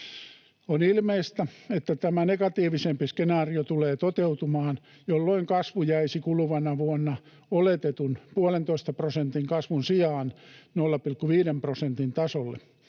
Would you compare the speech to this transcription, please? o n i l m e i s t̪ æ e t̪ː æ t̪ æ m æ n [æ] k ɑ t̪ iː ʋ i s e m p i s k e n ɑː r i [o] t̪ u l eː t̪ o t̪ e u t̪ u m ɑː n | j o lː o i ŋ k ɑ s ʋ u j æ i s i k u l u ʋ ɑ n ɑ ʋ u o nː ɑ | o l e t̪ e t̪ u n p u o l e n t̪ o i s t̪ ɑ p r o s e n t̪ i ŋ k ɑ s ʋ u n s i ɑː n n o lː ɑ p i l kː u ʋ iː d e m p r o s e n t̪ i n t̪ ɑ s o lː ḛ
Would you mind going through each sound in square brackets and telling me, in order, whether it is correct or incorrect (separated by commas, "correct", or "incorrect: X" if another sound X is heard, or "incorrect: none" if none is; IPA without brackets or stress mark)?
incorrect: e, correct